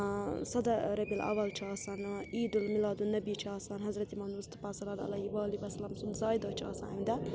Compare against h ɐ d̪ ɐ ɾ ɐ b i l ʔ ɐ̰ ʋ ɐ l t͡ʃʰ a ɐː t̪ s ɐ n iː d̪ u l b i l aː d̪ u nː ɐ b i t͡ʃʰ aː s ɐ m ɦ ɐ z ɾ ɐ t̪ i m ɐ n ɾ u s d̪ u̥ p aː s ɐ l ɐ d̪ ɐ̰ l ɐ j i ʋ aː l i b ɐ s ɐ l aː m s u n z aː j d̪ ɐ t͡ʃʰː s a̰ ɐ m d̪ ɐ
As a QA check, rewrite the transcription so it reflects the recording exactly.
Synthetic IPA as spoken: s ɐ d̪ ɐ ɾ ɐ b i l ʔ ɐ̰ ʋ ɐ l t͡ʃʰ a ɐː s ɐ n iː d̪ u l m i l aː d̪ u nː ɐ b i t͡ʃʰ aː s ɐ n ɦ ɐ z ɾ ɐ t̪ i m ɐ n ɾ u s t̪ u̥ p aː s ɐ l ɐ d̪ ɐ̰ l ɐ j i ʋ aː l i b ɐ s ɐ l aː m s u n z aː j d̪ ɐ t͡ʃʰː s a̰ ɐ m d̪ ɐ